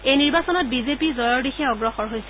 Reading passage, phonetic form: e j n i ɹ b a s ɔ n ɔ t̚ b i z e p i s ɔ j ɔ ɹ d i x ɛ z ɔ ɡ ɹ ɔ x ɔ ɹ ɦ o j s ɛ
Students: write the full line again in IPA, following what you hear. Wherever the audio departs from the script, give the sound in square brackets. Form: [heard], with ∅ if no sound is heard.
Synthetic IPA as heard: e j n i ɹ b a s ɔ n ɔ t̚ b i z e p i [z] ɔ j ɔ ɹ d i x ɛ [∅] ɔ ɡ ɹ ɔ x ɔ ɹ ɦ o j s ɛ